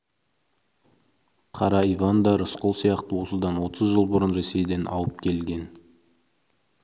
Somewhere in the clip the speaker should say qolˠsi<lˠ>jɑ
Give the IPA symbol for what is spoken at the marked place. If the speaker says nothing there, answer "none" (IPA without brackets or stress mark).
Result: none